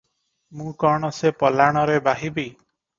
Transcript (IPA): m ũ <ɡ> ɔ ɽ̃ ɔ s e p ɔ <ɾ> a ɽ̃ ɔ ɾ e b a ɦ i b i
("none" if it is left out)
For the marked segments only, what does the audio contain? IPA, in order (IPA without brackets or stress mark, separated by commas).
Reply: k, l